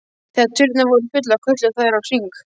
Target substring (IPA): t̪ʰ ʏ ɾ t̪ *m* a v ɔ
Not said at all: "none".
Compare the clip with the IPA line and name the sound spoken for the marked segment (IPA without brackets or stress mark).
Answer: n